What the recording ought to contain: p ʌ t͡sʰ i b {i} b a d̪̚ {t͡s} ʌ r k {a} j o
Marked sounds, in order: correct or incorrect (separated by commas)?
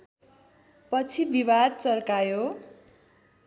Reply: correct, correct, correct